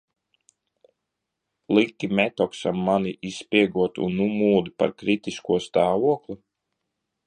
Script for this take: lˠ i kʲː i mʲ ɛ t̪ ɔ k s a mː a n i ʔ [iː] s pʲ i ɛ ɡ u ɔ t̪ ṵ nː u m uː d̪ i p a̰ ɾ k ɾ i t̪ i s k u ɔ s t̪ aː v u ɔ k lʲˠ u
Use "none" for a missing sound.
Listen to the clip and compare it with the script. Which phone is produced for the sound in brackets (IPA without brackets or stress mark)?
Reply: i